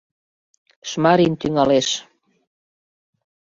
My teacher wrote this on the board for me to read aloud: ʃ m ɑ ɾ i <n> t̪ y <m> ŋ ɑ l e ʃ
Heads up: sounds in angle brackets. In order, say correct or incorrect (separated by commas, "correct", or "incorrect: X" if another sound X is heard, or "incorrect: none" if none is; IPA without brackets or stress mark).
correct, incorrect: none